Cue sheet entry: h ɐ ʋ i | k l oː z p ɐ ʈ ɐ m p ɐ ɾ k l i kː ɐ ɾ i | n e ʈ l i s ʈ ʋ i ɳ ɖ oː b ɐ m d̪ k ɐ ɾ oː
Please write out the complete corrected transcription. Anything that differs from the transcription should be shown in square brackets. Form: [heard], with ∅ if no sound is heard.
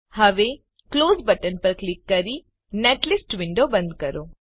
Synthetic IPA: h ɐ ʋ [e] | k l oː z [b] ɐ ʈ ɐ [n] p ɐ ɾ k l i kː ɐ ɾ i | n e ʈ l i s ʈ ʋ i ɳ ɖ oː b ɐ [n] d̪ k ɐ ɾ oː